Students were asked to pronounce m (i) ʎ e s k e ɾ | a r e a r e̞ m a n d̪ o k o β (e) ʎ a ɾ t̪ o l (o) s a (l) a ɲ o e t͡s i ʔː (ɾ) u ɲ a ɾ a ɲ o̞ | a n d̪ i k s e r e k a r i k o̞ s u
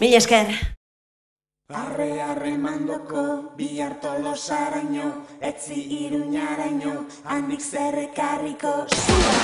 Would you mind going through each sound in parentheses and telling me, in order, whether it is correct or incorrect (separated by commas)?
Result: correct, incorrect, correct, incorrect, correct